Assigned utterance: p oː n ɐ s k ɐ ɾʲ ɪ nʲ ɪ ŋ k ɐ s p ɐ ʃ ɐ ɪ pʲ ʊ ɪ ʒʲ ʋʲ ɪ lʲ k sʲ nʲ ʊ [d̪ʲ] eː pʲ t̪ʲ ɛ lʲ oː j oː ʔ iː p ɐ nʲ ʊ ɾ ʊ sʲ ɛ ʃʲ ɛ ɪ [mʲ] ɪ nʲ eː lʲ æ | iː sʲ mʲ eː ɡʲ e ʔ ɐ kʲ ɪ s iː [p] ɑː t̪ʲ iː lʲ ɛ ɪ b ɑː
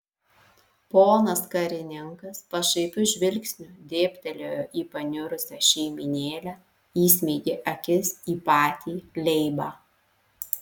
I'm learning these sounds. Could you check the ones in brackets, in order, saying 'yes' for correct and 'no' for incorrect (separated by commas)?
yes, yes, yes